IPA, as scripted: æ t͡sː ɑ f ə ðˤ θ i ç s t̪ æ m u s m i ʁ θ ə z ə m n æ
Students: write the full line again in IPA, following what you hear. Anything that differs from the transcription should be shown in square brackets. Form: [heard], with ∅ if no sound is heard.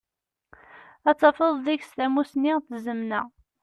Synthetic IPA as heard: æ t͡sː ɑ f ə ðˤ [ð] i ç s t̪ æ m u s [n] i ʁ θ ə z ə m n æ